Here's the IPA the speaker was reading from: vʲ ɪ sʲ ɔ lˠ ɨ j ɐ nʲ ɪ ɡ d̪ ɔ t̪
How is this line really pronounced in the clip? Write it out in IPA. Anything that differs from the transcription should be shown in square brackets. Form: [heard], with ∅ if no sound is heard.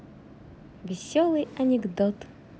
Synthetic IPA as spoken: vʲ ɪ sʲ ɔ lˠ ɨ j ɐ nʲ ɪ ɡ d̪ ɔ t̪